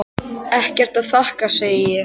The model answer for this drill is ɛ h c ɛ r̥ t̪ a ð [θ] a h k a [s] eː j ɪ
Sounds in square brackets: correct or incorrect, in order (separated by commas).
correct, correct